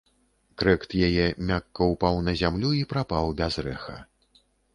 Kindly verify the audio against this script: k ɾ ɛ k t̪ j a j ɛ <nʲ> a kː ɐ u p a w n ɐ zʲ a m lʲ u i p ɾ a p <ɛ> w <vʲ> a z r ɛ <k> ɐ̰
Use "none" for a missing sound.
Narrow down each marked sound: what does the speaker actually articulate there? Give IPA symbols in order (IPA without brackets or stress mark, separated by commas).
mʲ, a, bʲ, x